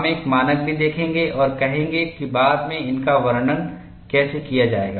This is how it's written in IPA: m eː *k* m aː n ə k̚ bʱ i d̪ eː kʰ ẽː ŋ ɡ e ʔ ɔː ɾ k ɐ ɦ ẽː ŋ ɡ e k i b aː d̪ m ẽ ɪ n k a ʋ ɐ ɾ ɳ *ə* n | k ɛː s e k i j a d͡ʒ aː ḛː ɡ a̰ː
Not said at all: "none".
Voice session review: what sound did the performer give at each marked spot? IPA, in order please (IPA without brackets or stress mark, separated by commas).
k, ə